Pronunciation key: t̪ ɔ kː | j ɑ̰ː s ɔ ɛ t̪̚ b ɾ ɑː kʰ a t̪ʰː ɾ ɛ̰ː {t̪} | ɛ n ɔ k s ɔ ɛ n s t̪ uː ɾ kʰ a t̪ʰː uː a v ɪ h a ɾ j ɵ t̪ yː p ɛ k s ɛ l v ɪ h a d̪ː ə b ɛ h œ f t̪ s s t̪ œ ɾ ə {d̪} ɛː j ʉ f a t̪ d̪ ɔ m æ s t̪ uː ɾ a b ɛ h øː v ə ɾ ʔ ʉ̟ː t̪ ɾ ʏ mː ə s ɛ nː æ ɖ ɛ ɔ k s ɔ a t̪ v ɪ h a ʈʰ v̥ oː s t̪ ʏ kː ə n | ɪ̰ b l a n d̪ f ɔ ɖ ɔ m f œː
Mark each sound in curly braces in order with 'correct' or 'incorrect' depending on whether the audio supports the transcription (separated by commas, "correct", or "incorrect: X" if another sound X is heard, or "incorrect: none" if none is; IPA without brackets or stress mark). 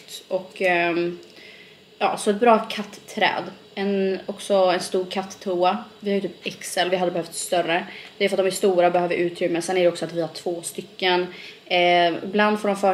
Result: incorrect: d̪, correct